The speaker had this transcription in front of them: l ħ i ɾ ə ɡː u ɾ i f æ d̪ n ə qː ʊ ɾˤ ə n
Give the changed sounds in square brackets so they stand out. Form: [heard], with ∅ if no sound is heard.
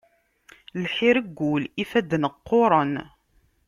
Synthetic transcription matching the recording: l ħ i ɾ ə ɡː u [l] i f æ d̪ n ə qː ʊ ɾˤ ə n